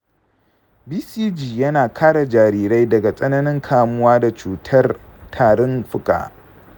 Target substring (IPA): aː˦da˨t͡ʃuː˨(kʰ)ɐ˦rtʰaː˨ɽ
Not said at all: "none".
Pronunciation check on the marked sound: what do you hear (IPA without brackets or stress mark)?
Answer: tʰ